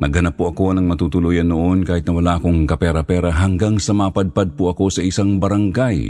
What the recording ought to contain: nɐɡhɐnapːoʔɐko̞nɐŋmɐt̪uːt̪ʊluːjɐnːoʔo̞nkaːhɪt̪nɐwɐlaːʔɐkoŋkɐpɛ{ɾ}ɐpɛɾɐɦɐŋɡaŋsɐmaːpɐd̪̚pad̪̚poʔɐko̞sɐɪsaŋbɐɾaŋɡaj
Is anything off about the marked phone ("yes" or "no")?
no